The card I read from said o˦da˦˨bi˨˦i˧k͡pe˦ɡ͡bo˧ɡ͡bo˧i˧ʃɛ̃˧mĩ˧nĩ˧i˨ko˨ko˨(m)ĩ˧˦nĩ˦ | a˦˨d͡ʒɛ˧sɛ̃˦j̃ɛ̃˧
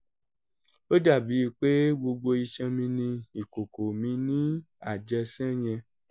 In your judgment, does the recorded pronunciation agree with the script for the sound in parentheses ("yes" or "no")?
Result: yes